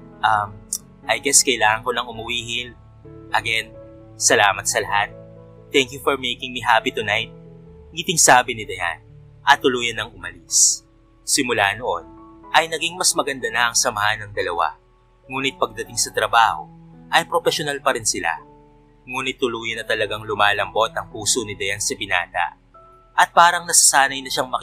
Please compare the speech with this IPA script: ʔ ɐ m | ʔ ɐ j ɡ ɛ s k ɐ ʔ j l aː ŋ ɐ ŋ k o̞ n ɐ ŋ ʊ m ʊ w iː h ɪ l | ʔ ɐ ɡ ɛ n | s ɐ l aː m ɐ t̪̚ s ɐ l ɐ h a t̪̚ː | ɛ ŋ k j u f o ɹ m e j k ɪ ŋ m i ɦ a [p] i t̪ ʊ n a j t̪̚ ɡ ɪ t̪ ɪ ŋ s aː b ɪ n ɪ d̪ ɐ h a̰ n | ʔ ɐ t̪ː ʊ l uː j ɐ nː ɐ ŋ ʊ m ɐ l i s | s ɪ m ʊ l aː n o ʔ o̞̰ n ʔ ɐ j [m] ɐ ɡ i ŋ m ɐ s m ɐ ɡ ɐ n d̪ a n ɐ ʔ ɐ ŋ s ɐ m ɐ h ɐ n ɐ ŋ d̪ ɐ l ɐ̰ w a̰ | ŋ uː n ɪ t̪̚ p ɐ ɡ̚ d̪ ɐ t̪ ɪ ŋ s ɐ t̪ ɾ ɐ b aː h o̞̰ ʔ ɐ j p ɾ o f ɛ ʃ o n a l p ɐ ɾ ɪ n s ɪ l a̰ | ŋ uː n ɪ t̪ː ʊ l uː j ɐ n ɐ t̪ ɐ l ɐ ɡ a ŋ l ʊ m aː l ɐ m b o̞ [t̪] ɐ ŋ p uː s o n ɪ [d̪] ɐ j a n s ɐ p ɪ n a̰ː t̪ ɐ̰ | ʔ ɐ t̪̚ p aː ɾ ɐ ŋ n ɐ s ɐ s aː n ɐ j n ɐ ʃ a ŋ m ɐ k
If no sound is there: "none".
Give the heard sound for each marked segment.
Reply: p, n, t̪, d̪

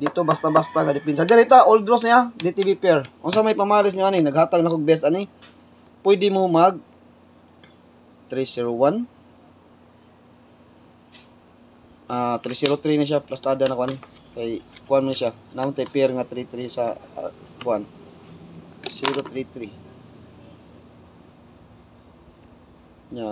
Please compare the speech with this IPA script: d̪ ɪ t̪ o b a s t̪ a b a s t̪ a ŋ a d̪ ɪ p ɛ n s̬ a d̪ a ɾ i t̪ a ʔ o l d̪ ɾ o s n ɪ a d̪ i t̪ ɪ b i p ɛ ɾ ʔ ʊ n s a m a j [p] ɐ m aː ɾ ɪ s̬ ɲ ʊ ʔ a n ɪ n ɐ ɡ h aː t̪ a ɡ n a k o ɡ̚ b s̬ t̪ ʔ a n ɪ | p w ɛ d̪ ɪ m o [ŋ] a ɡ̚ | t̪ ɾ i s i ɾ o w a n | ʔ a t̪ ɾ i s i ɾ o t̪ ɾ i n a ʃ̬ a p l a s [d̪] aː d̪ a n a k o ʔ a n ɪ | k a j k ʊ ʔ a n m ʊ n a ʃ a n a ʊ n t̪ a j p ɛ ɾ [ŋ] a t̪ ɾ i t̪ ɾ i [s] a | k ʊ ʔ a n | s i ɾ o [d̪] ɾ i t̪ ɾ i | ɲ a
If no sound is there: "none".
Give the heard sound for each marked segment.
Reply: p, m, t̪, ŋ, s, t̪

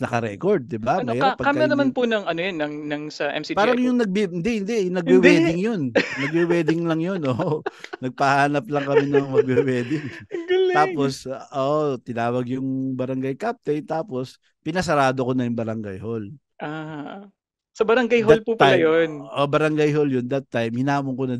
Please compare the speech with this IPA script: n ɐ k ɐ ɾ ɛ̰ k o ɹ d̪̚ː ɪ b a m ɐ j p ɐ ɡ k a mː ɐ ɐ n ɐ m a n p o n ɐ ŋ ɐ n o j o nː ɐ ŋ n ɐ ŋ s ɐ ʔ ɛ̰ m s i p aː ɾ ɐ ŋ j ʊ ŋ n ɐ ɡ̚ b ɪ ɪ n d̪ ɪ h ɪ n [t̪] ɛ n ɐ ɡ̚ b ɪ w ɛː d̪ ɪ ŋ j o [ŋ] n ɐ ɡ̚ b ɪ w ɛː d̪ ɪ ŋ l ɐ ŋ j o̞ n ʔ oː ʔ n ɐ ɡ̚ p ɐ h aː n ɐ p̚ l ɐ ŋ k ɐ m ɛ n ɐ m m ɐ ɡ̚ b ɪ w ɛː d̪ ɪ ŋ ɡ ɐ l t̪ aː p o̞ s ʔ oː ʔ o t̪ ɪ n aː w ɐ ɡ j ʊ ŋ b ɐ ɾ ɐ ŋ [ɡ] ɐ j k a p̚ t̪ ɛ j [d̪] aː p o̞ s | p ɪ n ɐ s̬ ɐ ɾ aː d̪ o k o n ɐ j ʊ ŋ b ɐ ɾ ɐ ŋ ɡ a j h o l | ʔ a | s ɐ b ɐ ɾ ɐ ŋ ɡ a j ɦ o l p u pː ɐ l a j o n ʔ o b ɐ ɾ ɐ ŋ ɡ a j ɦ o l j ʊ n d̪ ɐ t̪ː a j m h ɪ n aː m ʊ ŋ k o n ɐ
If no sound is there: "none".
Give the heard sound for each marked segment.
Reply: d̪, n, ɡ, t̪

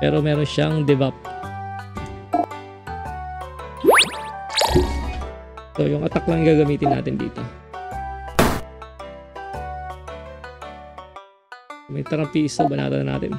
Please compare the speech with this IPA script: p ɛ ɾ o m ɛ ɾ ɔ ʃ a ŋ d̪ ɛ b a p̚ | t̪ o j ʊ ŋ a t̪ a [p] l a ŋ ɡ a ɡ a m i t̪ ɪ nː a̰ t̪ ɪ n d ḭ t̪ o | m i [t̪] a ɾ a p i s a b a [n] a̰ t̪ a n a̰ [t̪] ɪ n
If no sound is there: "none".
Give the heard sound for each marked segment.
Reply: k, t̪, n, t̪

